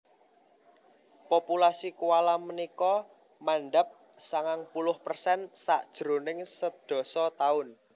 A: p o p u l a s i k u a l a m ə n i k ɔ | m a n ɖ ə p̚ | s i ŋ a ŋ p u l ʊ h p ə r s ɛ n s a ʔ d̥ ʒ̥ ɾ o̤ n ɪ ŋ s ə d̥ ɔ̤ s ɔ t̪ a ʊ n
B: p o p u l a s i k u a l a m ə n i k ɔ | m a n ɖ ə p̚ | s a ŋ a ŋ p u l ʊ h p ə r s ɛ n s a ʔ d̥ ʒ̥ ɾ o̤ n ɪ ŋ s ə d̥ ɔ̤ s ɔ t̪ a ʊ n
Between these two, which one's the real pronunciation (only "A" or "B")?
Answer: B